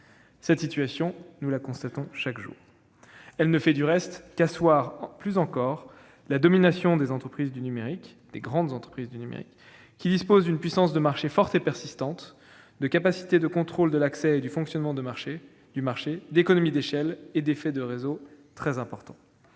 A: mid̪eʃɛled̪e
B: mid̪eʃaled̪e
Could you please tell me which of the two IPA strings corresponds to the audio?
A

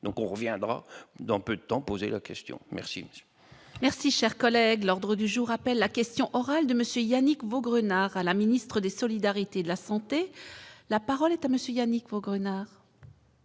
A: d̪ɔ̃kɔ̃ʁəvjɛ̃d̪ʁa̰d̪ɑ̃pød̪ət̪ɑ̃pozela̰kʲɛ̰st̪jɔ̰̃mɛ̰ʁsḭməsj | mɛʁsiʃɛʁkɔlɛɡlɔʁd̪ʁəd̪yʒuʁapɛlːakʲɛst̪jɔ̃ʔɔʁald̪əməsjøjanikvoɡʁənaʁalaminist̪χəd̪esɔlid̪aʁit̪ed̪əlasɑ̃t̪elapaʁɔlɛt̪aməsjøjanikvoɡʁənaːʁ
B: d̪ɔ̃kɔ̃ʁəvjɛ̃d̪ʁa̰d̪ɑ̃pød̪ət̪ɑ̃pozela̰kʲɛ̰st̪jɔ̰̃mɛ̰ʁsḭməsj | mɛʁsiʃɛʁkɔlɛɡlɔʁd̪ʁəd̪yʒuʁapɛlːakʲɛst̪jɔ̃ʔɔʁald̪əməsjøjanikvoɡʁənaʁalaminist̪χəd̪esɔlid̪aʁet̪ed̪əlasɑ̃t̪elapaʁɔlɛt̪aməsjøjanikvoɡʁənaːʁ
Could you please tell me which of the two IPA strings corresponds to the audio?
A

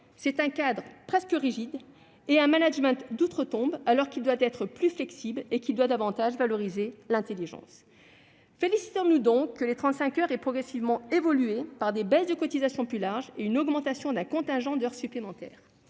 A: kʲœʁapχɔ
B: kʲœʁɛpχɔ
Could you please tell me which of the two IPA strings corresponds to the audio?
B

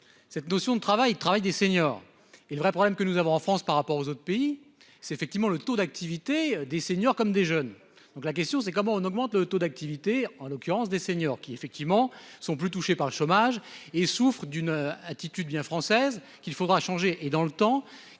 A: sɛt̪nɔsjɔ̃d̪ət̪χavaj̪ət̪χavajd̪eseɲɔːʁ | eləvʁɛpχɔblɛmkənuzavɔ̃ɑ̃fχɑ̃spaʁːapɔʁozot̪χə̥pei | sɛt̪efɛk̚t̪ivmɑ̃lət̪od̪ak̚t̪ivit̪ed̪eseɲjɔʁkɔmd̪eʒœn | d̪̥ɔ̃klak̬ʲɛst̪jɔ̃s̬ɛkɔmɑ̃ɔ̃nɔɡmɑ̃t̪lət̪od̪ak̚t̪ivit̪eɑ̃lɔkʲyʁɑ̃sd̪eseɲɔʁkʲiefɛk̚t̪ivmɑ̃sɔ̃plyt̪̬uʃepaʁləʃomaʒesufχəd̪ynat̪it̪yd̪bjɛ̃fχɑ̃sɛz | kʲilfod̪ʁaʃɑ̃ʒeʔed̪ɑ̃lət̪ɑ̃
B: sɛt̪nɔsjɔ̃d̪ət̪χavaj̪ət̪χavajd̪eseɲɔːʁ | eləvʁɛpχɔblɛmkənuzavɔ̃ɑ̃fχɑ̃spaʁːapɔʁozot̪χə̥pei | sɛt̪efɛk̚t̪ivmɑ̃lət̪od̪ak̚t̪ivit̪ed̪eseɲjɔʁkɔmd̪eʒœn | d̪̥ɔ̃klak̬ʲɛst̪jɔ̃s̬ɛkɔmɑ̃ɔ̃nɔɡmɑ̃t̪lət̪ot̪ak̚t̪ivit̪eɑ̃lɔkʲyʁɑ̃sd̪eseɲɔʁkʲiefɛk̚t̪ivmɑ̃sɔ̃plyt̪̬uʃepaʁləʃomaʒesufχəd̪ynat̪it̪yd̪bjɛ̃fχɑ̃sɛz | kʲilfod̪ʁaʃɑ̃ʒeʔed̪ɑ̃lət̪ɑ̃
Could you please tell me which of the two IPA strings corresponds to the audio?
A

